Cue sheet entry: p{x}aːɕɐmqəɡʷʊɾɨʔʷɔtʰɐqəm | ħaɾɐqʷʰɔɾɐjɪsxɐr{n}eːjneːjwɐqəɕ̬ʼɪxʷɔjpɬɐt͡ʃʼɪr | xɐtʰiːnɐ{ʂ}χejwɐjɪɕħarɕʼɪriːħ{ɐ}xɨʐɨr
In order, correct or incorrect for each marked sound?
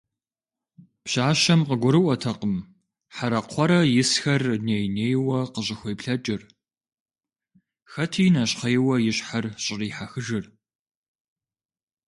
incorrect, correct, incorrect, incorrect

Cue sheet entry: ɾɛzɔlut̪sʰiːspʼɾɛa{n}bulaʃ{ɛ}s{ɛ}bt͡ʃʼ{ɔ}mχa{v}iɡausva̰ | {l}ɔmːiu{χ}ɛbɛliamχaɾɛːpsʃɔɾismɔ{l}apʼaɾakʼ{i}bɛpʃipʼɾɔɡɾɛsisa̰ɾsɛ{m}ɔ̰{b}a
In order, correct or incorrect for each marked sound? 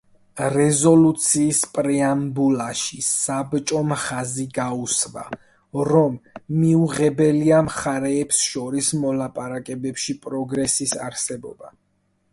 incorrect, incorrect, incorrect, correct, incorrect, incorrect, incorrect, correct, incorrect, incorrect, correct

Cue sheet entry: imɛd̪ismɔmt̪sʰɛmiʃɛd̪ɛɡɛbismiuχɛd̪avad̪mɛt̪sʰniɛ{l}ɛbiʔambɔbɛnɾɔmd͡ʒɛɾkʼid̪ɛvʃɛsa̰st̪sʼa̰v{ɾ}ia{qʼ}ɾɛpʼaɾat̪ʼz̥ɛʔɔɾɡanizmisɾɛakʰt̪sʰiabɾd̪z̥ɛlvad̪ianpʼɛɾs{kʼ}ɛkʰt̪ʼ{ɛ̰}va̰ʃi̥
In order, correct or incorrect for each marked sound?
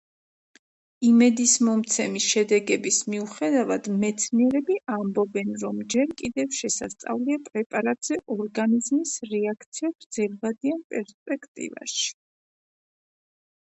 incorrect, incorrect, incorrect, incorrect, incorrect

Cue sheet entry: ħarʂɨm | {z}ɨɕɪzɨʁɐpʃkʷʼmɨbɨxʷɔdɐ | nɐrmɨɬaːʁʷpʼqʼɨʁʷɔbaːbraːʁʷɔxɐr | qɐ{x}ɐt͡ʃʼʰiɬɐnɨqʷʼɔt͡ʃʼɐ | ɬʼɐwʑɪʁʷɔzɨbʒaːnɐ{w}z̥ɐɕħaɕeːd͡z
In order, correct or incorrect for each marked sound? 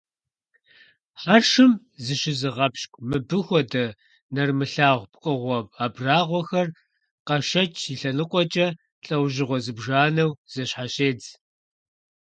correct, incorrect, correct

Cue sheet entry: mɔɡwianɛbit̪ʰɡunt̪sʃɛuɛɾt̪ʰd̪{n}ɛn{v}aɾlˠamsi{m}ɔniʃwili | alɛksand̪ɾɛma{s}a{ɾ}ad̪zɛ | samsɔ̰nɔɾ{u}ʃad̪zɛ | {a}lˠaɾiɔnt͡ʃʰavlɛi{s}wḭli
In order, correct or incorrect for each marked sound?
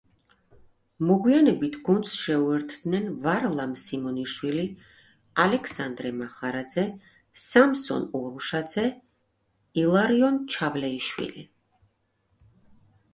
correct, correct, correct, incorrect, correct, correct, incorrect, incorrect

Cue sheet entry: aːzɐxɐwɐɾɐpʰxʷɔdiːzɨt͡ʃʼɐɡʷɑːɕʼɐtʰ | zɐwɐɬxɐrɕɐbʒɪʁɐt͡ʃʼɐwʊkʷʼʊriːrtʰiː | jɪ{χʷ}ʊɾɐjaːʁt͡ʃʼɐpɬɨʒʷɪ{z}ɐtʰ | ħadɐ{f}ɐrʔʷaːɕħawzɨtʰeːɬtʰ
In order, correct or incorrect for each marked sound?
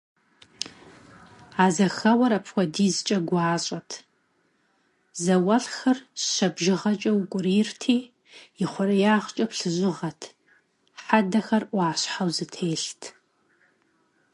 correct, incorrect, incorrect

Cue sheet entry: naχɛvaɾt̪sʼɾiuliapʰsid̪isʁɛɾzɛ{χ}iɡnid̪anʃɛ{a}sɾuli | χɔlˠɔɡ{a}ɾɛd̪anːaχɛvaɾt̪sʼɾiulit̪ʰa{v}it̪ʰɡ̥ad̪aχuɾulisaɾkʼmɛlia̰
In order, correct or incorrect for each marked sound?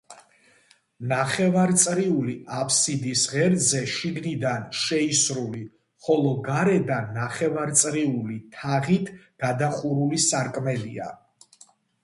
incorrect, incorrect, correct, incorrect

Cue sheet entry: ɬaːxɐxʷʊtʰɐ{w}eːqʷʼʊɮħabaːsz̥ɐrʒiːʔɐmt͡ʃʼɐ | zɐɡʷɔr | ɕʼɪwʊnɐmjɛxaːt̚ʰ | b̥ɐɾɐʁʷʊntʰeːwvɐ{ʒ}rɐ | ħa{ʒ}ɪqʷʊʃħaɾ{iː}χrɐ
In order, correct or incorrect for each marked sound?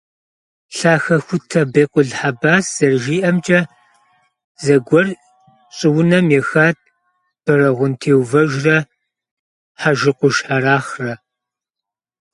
incorrect, correct, correct, incorrect

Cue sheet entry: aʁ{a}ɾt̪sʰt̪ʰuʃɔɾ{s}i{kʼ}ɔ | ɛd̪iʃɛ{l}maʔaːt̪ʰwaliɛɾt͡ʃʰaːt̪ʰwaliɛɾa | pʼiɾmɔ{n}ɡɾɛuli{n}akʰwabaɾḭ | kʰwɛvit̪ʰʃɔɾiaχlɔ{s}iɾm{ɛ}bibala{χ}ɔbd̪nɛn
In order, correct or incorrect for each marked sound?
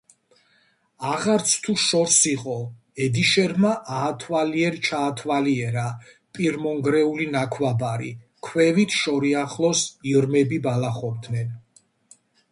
correct, correct, incorrect, incorrect, incorrect, correct, correct, correct, correct

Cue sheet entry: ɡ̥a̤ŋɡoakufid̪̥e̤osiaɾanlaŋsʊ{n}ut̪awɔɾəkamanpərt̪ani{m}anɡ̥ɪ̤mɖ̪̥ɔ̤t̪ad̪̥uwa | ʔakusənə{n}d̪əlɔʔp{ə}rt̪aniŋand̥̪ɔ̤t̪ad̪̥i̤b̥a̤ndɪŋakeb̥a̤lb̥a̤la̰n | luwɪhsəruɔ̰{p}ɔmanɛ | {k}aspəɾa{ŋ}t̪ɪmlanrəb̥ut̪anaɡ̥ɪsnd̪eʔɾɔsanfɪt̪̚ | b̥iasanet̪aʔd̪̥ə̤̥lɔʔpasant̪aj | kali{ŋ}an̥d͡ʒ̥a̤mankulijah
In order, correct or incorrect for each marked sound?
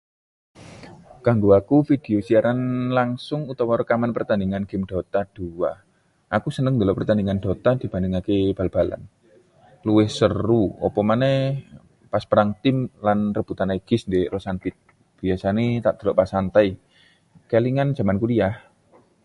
incorrect, incorrect, incorrect, correct, correct, incorrect, correct, correct

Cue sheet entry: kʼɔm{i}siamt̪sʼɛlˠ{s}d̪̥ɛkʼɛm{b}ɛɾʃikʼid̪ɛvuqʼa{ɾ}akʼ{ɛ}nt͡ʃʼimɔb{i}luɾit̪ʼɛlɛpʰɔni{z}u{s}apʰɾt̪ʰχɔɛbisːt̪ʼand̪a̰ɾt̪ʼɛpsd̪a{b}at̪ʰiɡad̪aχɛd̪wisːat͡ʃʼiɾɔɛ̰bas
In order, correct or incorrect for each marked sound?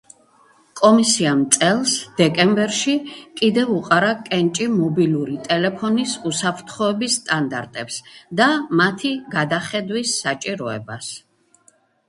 correct, correct, correct, correct, correct, correct, incorrect, correct, incorrect

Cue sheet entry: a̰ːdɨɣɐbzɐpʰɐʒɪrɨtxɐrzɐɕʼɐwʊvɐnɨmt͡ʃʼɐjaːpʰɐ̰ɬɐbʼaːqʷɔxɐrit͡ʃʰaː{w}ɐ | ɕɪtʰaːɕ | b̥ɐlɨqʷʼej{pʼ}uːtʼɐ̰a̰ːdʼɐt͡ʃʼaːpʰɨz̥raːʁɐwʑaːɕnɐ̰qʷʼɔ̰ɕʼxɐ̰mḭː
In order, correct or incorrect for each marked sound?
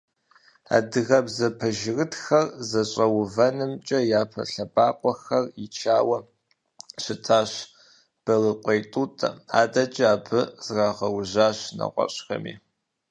correct, incorrect

